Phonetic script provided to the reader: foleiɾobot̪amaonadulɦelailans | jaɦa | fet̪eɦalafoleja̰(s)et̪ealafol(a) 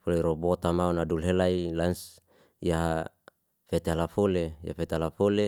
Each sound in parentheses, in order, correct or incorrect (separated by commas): incorrect, incorrect